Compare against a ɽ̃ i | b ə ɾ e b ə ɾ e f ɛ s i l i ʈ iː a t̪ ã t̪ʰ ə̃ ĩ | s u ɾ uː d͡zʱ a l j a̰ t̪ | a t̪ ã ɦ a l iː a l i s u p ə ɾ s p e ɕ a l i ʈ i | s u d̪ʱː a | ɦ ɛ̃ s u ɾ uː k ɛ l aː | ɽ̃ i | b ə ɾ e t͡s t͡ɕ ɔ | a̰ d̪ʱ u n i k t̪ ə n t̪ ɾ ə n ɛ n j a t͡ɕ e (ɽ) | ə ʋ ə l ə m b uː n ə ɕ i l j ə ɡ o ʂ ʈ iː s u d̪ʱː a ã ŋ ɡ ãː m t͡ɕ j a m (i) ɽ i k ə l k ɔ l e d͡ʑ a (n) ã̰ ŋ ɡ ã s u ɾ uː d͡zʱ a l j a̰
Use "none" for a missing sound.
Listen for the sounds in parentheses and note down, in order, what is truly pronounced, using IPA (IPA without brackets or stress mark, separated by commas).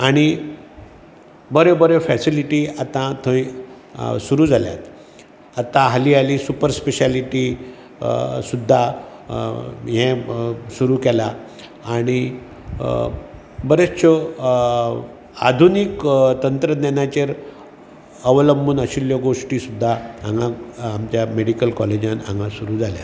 ɾ, e, n